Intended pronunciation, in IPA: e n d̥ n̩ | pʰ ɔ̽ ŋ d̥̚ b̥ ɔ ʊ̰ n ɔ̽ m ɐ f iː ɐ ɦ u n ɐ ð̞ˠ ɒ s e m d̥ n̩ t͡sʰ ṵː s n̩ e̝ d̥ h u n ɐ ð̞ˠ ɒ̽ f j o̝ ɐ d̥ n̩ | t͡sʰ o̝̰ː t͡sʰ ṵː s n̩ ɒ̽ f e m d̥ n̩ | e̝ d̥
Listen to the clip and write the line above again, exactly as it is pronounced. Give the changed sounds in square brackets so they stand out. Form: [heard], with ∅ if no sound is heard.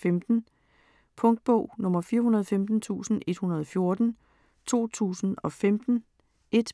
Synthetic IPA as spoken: e [m] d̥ n̩ | pʰ ɔ̽ ŋ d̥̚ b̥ ɔ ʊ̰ n ɔ̽ m ɐ f iː ɐ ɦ u n ɐ ð̞ˠ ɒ [f] e m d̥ n̩ t͡sʰ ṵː s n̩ e̝ d̥ h u n ɐ ð̞ˠ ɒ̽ f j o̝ ɐ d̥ n̩ | t͡sʰ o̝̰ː t͡sʰ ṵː s n̩ ɒ̽ f e m d̥ n̩ | e̝ d̥